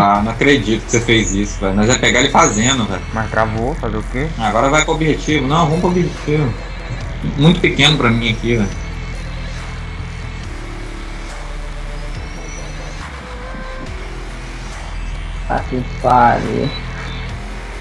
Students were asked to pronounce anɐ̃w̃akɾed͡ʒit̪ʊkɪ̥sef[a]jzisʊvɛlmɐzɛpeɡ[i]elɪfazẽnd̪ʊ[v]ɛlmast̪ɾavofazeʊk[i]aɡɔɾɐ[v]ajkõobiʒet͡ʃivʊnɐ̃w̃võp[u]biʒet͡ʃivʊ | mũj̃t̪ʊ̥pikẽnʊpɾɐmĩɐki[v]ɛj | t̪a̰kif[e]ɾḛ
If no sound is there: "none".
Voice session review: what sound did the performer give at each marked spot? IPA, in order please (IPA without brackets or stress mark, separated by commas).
e, a, v, e, v, o, v, a